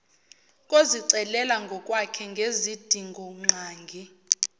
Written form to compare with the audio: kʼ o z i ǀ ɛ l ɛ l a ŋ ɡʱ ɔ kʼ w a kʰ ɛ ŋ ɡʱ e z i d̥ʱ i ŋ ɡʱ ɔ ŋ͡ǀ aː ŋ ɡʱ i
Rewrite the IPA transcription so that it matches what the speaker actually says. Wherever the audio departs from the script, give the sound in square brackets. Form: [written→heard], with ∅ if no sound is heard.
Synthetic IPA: kʼ o z i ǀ ɛ l ɛ l a ŋ ɡʱ ɔ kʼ w a kʰ ɛ ŋ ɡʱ e z i d̥ʱ i ŋ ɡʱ ɔ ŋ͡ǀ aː ŋ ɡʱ i